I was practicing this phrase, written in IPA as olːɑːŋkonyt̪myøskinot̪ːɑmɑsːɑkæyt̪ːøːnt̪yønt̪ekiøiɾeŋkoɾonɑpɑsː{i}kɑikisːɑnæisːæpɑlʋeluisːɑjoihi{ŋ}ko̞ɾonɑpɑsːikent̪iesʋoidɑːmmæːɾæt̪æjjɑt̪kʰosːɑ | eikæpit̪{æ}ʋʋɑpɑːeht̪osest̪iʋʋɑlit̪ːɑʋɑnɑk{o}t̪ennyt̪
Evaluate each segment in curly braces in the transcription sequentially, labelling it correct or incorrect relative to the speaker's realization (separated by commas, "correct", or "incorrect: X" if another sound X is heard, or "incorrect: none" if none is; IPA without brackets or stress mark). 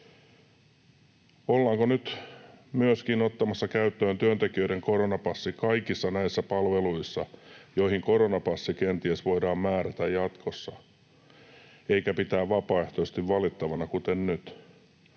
correct, correct, incorrect: æː, incorrect: u